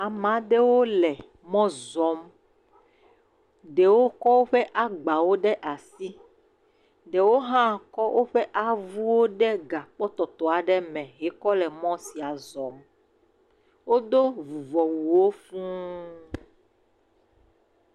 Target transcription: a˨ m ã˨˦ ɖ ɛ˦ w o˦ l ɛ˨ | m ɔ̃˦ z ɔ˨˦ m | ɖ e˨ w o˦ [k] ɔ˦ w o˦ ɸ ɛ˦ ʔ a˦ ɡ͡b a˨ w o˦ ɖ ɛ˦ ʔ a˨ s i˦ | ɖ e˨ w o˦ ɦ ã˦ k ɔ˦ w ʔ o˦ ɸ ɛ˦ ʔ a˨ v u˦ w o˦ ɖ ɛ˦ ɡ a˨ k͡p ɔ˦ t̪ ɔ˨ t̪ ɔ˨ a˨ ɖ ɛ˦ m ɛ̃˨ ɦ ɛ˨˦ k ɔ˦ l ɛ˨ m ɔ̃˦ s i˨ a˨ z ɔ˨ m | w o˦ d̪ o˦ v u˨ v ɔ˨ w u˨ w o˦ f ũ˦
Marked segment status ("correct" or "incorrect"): correct